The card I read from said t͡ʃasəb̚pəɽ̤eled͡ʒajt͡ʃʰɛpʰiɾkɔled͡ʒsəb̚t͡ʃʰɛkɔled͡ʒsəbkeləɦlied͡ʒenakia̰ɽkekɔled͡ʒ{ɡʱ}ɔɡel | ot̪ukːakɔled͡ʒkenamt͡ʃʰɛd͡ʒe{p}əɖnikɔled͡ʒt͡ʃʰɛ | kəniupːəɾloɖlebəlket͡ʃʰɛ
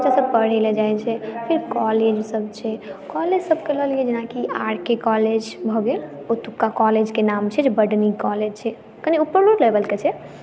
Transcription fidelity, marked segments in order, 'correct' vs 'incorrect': incorrect: bʱ, incorrect: b

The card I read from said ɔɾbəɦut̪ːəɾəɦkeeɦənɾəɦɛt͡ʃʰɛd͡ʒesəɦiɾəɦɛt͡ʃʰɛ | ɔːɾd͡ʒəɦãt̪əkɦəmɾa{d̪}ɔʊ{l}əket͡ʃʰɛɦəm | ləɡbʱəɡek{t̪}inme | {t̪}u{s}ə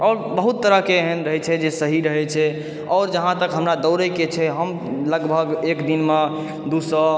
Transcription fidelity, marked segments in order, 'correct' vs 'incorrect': correct, incorrect: ɾ, incorrect: d̪, incorrect: d̪, correct

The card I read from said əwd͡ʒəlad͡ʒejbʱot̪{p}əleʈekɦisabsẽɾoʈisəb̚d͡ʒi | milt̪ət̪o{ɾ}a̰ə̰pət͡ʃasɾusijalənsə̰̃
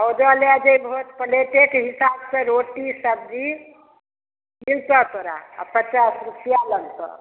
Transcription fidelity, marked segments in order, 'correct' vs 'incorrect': correct, correct

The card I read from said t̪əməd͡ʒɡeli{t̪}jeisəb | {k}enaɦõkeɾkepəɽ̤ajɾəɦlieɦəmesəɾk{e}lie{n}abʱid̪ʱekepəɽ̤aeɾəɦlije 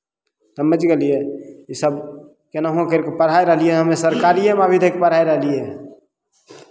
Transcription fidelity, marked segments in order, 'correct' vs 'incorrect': incorrect: none, correct, incorrect: a, incorrect: m

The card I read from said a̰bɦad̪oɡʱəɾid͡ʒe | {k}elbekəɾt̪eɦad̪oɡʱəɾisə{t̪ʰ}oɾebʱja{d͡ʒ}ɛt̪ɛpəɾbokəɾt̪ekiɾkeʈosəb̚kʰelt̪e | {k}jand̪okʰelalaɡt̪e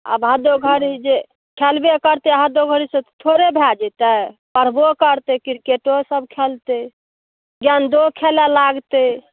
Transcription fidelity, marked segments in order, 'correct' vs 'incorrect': incorrect: kʰ, correct, correct, incorrect: ɡ

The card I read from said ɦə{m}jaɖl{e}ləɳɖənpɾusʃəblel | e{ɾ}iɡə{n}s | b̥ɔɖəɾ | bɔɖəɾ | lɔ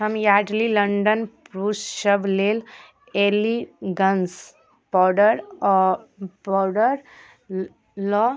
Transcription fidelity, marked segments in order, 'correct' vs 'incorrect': correct, incorrect: i, incorrect: l, correct

